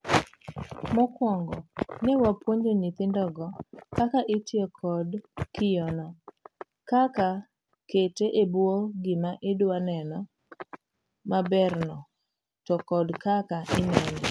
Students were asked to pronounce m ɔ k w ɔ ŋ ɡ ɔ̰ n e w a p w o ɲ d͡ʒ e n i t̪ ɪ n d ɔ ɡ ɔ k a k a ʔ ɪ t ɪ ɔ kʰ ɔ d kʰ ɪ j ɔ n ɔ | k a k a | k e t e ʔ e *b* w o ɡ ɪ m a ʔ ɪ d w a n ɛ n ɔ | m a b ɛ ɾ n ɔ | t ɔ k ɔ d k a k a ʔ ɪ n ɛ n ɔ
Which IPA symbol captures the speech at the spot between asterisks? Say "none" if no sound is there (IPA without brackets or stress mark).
b